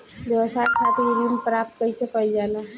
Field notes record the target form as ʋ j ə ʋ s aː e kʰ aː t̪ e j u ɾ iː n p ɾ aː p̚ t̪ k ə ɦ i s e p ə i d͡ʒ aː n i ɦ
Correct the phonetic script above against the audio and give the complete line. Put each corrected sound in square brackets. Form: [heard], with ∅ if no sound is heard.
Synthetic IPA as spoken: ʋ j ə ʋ s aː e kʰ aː t̪ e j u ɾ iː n p ɾ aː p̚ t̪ k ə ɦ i s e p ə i d͡ʒ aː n [a] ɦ